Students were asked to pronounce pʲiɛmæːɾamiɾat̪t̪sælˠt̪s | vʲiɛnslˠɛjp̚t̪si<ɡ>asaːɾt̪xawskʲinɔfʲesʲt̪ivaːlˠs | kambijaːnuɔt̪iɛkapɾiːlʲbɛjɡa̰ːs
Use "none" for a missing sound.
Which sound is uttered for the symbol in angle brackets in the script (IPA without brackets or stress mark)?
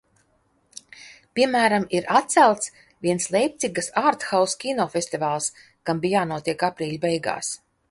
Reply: ɡ